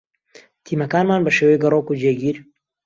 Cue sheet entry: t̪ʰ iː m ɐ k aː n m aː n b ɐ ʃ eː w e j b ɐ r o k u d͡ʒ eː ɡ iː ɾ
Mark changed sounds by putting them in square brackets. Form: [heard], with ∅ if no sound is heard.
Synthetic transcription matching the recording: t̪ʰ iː m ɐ k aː n m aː n b ɐ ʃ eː w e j [ɡ] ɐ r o k u d͡ʒ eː ɡ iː ɾ